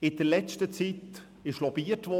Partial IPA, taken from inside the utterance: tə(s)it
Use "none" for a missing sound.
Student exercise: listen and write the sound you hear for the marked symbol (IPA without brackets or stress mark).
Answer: t͡s